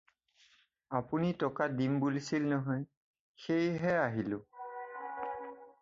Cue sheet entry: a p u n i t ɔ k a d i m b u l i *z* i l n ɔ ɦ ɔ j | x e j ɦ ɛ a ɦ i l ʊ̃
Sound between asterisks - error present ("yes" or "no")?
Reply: yes